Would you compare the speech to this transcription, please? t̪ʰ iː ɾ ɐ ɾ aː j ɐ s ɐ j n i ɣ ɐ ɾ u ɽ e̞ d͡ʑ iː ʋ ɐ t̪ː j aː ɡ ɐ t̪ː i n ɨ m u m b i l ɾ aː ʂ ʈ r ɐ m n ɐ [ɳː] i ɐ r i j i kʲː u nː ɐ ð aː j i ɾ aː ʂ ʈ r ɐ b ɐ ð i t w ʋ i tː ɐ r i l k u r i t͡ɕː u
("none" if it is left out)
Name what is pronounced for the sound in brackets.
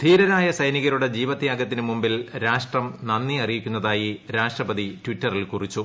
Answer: nː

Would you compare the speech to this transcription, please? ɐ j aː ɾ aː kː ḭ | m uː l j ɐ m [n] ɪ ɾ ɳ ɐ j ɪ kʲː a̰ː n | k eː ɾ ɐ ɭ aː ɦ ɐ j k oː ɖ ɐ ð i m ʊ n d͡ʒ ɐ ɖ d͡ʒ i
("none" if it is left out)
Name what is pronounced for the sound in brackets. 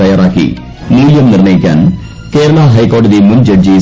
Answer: n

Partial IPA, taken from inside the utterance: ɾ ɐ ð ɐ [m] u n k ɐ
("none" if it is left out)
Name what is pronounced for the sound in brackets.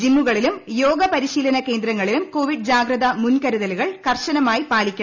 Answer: m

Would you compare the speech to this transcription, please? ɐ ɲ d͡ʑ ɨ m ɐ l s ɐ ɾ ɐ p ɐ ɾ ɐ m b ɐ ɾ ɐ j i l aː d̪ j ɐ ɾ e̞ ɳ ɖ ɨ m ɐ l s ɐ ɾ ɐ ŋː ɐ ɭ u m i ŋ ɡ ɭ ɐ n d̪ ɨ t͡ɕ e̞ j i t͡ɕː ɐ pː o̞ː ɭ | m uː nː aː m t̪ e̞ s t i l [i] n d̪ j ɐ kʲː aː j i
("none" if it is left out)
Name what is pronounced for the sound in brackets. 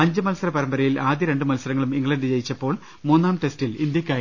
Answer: i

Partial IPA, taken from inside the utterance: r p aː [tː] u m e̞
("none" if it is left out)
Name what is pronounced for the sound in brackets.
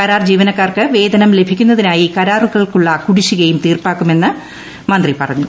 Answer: kː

